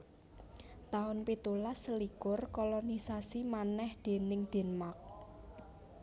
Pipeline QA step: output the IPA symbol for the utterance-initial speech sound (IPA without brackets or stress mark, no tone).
t̪